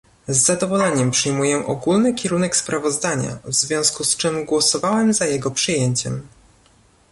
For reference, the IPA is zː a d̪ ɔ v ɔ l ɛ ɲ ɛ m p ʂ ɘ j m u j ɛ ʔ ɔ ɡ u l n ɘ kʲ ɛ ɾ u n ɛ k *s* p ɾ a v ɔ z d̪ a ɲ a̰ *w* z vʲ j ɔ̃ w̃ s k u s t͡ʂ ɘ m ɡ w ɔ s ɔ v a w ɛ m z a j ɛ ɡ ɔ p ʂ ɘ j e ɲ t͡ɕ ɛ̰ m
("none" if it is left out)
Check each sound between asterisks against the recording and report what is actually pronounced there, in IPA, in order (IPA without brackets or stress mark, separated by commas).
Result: s, v